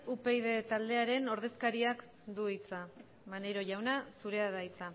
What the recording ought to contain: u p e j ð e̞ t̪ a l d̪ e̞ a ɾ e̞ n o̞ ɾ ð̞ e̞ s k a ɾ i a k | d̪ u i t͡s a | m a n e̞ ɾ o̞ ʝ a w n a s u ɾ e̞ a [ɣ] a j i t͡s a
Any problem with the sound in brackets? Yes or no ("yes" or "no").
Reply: yes